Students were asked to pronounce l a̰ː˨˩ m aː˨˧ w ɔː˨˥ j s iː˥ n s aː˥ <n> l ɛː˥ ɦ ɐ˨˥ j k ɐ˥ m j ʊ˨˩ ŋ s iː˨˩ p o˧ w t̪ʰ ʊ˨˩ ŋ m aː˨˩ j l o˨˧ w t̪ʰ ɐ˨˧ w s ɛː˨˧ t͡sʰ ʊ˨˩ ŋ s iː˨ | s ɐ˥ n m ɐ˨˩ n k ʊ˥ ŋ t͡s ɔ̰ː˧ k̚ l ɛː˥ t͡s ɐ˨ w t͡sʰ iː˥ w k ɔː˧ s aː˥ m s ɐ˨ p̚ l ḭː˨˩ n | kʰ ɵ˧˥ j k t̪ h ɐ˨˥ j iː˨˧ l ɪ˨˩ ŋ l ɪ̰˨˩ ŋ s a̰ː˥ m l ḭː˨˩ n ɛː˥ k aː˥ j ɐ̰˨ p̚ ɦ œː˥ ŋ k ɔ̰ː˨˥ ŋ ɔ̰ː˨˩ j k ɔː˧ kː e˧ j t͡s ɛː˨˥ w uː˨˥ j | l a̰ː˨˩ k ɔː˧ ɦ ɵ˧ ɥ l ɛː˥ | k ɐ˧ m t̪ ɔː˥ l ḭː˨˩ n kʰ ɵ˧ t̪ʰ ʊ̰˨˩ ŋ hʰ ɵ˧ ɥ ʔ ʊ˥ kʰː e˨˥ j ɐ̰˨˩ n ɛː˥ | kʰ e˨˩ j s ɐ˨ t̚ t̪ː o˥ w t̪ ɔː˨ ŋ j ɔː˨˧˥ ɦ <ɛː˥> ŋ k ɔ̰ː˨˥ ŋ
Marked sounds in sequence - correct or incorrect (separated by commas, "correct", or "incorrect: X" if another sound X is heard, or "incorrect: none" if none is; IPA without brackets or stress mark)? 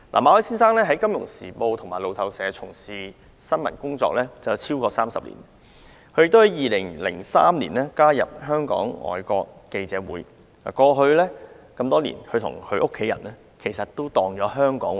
incorrect: ŋ, incorrect: œː˥